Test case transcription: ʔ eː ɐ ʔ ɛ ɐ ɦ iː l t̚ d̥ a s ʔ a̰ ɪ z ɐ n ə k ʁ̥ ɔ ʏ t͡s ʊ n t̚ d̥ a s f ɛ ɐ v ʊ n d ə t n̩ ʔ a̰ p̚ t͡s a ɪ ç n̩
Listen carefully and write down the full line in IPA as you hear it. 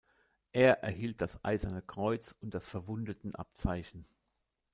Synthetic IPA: ʔ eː ɐ ʔ ɛ ɐ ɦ iː l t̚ d̥ a s ʔ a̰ ɪ z ɐ n ə k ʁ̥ ɔ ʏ t͡s ʊ n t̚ d̥ a s f ɛ ɐ v ʊ n d ə t n̩ ʔ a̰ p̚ t͡s a ɪ ç n̩